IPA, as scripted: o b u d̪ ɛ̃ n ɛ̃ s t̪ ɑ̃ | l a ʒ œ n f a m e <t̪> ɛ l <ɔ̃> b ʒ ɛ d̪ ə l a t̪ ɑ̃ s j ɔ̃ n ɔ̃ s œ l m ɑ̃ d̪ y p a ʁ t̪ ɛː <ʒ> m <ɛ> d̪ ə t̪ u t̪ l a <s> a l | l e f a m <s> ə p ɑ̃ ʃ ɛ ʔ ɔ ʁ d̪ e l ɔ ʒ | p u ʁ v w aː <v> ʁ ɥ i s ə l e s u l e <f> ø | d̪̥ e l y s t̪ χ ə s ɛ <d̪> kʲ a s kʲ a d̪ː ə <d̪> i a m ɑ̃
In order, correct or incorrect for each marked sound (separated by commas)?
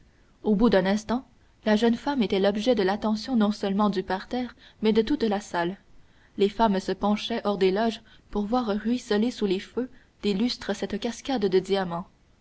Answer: correct, incorrect, incorrect, correct, correct, correct, incorrect, correct, incorrect, correct